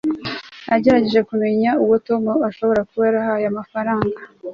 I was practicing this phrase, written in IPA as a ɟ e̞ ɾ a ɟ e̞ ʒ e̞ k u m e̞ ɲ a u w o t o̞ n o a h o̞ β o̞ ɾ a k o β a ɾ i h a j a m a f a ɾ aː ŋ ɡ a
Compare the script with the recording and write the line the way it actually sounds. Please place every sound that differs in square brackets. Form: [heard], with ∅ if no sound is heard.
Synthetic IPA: a ɟ e̞ ɾ a ɟ e̞ ʒ e̞ k u m e̞ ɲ a u w o t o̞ [m] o a [ʃ] o̞ β o̞ ɾ a k [u] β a ɾ [a] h a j a m a f a ɾ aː ŋ ɡ a